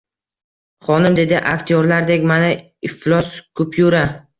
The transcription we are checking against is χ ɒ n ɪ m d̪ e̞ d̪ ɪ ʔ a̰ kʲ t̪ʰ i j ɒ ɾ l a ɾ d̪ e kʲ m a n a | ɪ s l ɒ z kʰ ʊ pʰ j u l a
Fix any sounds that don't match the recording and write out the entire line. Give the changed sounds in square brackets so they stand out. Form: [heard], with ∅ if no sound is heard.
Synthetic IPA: χ ɒ n ɪ m d̪ e̞ d̪ ɪ ʔ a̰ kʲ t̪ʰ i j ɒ ɾ l a ɾ d̪ e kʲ m a n a | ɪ [f] l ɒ [s] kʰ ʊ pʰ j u [ɾ] a